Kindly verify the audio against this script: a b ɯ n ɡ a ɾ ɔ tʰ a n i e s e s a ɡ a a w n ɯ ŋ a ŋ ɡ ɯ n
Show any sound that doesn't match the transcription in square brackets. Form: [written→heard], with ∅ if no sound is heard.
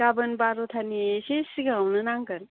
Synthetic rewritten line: a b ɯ n [ɡ→b] a ɾ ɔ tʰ a n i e s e s [a→i] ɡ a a w n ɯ [ŋ→n] a ŋ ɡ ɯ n